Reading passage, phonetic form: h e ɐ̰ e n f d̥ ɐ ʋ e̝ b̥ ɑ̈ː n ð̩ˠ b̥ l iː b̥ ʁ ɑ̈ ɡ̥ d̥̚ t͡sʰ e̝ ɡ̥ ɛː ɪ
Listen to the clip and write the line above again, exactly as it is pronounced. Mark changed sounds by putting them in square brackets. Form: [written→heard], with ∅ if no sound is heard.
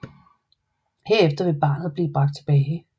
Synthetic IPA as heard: h e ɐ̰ e [n→∅] f d̥ ɐ ʋ e̝ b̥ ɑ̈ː n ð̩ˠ b̥ l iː b̥ ʁ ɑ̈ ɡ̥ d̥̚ t͡sʰ e̝ [ɡ̥→b̥] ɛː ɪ